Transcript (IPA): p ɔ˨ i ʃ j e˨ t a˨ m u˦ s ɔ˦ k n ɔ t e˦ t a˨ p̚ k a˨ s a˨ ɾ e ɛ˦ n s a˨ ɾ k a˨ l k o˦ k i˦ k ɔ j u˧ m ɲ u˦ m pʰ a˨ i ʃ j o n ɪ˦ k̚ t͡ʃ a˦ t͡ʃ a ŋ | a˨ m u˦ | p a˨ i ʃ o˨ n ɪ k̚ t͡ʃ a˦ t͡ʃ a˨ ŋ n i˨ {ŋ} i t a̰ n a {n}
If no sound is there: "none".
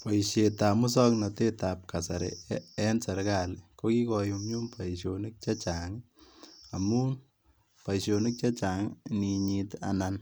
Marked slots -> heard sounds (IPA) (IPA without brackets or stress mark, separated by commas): ɲ, n